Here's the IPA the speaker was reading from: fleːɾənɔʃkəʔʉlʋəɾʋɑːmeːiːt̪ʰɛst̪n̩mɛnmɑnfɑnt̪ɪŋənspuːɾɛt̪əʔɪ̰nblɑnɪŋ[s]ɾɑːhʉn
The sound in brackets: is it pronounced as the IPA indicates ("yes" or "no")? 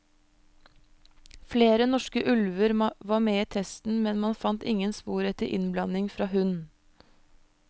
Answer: no